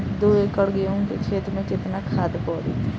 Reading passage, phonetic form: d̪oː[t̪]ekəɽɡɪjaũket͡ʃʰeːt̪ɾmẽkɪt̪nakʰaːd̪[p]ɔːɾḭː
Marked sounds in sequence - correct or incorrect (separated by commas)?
incorrect, correct